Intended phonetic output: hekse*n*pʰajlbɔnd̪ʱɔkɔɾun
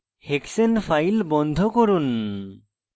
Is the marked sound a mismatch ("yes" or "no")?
no